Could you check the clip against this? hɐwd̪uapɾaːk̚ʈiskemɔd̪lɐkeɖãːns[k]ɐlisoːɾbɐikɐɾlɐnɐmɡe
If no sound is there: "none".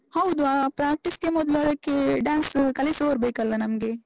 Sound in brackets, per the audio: k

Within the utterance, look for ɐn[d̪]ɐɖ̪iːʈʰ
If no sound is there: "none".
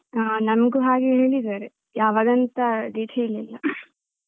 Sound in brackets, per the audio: t̪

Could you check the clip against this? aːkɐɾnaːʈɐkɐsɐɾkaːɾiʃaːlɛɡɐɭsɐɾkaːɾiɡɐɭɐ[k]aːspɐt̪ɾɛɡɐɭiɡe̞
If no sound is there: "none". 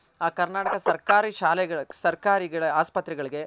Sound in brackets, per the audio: none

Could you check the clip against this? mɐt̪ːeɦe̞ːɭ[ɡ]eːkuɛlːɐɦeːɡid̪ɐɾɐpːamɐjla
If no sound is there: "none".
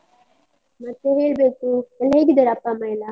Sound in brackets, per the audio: b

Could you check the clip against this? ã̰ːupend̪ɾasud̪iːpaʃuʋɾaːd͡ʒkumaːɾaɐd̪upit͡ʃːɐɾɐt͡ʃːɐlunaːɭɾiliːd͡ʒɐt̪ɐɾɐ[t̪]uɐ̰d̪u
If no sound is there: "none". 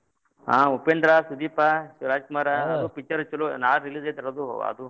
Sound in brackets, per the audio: d̪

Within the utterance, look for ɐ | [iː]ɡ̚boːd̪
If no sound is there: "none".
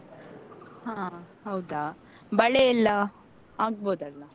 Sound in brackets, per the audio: aː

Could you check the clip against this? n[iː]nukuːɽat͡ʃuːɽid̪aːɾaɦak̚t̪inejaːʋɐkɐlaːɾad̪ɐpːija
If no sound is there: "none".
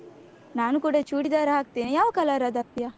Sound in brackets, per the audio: aː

